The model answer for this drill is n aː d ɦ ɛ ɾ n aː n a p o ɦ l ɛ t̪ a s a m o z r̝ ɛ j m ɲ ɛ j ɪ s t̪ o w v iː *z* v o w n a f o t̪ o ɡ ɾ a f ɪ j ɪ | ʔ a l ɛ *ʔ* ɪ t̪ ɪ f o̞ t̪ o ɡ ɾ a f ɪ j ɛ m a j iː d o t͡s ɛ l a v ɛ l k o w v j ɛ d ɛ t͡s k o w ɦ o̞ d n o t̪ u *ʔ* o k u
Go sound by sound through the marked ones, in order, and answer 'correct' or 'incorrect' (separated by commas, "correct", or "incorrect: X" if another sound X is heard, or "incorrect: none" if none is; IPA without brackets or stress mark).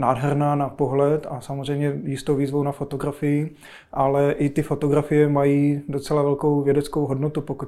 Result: correct, correct, incorrect: p